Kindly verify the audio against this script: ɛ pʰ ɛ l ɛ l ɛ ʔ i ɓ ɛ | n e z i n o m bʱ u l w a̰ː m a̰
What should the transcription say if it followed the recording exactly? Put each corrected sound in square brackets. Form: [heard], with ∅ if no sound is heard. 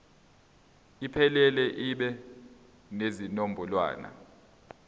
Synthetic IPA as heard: [i] pʰ ɛ l ɛ l ɛ ʔ i ɓ ɛ | n e z i n o m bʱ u l w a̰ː [n] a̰